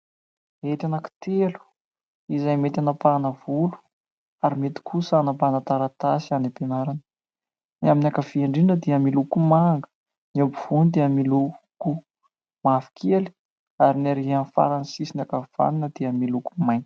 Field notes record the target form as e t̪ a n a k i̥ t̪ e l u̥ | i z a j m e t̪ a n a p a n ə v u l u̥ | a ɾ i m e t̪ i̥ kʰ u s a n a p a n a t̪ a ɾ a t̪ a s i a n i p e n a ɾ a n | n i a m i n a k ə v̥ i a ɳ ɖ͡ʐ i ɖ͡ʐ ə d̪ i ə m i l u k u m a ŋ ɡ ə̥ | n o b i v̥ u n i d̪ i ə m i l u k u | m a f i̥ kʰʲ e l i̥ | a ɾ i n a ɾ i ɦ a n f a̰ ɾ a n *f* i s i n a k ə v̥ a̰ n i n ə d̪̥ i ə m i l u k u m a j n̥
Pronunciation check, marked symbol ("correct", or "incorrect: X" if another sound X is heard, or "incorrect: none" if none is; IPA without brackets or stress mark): incorrect: s